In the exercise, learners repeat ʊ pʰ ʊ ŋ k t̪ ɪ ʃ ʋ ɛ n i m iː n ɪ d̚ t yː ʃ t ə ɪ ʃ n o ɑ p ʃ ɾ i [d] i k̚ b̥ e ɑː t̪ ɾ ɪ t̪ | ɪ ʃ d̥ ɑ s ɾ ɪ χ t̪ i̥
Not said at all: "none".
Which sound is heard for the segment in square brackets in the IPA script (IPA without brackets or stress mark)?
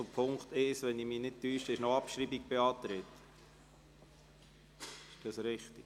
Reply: b